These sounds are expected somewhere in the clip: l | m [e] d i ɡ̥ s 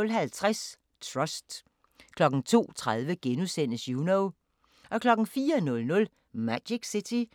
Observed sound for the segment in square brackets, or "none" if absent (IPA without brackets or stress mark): æ